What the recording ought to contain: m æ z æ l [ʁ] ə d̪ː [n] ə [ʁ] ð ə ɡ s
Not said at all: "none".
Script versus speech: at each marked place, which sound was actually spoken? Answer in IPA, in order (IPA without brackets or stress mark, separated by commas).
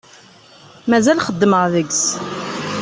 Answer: χ, m, ʁ